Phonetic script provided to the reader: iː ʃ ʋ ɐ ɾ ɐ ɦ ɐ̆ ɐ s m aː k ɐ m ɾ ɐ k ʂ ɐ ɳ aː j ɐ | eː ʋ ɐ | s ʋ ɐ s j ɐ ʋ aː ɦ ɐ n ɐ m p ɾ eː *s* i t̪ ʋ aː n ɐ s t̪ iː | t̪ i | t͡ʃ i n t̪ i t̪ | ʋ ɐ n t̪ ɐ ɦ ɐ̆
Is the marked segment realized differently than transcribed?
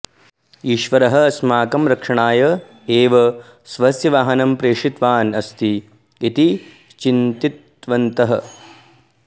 yes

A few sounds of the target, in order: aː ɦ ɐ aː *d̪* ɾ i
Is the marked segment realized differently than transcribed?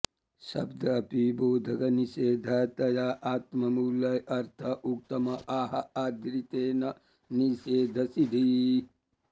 no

